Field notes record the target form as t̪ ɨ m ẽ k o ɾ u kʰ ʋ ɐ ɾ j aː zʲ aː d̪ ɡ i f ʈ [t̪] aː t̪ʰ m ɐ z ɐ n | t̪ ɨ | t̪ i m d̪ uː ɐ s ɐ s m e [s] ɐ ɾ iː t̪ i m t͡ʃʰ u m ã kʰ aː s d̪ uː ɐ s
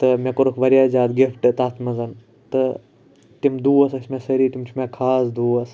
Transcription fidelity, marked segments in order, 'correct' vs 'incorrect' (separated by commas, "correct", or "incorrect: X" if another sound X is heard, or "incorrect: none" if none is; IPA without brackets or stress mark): correct, correct